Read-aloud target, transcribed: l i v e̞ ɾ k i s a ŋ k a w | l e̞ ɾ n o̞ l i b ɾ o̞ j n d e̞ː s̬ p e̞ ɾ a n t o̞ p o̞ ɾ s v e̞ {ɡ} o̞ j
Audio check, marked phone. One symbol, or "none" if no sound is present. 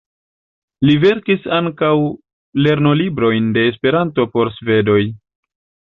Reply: d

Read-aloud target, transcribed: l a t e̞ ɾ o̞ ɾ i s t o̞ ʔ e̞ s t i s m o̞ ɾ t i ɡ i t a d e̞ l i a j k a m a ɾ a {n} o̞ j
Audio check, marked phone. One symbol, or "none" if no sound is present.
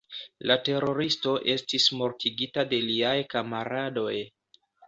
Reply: d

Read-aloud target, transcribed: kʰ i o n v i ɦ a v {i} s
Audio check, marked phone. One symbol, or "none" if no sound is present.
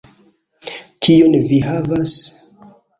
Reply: a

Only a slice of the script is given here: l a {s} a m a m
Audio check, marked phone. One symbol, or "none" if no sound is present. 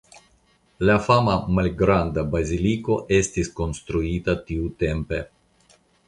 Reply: f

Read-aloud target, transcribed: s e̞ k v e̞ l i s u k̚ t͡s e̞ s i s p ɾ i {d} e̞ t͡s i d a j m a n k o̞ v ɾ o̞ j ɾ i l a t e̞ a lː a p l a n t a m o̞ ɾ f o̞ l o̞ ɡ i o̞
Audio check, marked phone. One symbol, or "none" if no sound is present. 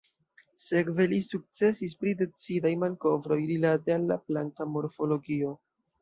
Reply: d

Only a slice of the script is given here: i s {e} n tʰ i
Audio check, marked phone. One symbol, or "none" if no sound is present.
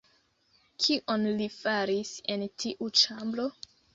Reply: e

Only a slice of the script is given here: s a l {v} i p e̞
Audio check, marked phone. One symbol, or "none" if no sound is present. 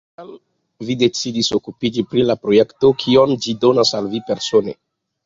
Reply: v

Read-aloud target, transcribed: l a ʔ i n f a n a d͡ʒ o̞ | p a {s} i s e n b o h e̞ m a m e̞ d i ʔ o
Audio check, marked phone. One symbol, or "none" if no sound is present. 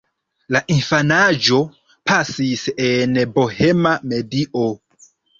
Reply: s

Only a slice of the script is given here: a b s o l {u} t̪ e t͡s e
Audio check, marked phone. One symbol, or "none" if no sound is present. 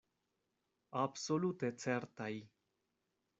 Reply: u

